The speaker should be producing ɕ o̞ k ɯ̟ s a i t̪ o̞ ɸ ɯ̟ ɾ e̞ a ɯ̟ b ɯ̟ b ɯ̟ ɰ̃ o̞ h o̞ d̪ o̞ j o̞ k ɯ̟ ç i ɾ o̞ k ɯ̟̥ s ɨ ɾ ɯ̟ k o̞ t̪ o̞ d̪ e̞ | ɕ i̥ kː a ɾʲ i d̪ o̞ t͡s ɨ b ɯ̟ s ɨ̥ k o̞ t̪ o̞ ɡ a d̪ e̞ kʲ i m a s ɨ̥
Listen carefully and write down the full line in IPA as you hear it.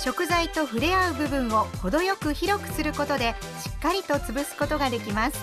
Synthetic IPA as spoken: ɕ o̞ k ɯ̟ z a i t̪ o̞ ɸ ɯ̟ ɾ e̞ a ɯ̟ b ɯ̟ b ɯ̟̃ ɰ̃ o̞ h o̞ d̪ o̞ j o̞ k ɯ̟ ç i ɾ o̞ k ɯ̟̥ s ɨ ɾ ɯ̟ k o̞ t̪ o̞ d̪ e̞ | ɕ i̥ kː a ɾʲ i t̪ o̞ t͡s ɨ b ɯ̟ s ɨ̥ k o̞ t̪ o̞ ɡ a d̪ e̞ kʲ i m a s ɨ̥

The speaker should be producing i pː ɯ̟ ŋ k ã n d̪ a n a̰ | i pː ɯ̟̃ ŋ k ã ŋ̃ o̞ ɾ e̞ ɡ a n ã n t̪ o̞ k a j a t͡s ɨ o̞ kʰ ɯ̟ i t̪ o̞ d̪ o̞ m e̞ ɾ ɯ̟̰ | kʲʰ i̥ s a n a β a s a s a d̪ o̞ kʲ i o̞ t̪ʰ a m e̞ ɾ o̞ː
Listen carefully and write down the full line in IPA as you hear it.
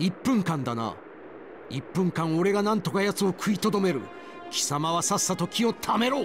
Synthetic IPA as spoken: i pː ɯ̟̃ ŋ k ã n d̪ a n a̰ | i pː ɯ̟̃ ŋ k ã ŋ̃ o̞ ɾ e̞ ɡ a n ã n t̪ o̞ k a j a t͡s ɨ o̞ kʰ ɯ̟ i t̪ o̞ d̪ o̞ m e̞ ɾ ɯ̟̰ | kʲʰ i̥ s a m a β a s a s a t̪ o̞ kʲ i o̞ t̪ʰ a m e̞ ɾ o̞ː

